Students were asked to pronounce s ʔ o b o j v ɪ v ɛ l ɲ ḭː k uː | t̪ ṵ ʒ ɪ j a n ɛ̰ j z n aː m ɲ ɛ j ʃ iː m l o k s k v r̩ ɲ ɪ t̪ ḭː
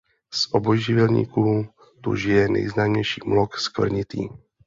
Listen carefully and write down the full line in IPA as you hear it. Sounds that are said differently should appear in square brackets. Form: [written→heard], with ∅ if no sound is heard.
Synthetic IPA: s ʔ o b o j [v→ʒ] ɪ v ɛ l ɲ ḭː k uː | t̪ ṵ ʒ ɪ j [a→ɛ] n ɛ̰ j z n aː m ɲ ɛ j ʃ iː m l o k s k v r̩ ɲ ɪ t̪ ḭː